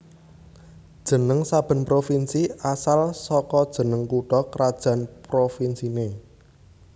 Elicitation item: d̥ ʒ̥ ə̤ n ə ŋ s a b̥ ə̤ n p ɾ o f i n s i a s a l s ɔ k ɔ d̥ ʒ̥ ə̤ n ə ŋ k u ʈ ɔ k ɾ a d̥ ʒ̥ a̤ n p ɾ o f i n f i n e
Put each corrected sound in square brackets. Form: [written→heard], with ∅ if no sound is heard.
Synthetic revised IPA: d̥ ʒ̥ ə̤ n ə ŋ s a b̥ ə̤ n p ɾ o f i n s i a s a l s ɔ k ɔ d̥ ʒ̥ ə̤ n ə ŋ k u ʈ ɔ k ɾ a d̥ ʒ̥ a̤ n p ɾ o f i n [f→s] i n e